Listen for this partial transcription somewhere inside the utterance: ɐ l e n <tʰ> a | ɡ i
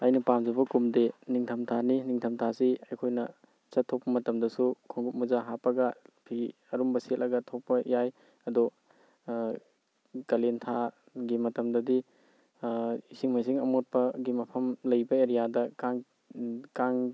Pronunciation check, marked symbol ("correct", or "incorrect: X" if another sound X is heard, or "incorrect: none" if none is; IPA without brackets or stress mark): correct